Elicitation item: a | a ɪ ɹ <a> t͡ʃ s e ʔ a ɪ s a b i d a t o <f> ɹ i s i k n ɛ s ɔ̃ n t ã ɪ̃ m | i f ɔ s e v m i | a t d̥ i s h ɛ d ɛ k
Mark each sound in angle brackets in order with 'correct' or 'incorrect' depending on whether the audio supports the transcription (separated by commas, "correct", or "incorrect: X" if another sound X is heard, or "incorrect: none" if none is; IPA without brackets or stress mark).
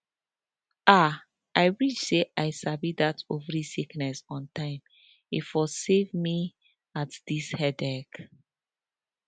incorrect: i, incorrect: v